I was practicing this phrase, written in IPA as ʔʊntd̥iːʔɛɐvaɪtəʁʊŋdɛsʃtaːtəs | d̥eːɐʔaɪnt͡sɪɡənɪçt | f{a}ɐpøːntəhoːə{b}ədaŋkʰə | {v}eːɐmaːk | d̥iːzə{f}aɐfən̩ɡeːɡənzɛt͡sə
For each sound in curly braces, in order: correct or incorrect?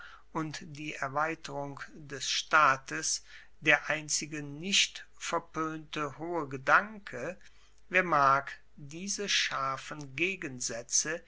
incorrect: ɛ, incorrect: ɡ, correct, incorrect: ʃ

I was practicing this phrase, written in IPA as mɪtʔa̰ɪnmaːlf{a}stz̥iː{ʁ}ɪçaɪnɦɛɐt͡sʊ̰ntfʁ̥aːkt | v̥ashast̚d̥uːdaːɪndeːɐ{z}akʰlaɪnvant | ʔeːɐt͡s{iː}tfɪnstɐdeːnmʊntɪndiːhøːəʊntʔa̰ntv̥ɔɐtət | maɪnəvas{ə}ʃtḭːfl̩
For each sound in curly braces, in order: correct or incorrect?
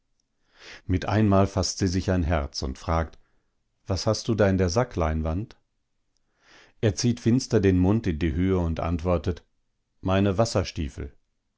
correct, incorrect: z, correct, correct, incorrect: ɐ

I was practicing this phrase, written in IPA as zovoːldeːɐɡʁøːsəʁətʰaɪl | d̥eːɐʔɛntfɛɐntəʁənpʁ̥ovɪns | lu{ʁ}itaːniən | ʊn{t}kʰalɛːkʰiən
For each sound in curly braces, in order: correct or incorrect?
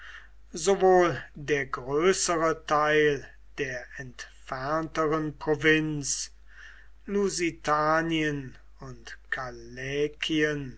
incorrect: z, correct

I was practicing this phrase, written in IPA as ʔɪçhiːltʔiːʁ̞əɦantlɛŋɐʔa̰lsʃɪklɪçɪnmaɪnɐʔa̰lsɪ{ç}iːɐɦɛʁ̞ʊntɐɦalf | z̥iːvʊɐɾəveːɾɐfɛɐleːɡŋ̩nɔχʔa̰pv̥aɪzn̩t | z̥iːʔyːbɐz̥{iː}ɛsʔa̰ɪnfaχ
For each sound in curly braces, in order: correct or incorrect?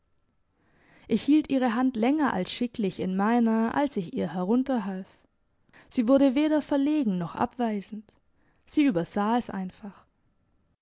correct, incorrect: aː

